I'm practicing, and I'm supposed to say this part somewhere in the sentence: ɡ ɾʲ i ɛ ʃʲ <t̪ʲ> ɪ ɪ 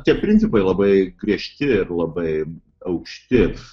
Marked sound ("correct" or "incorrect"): correct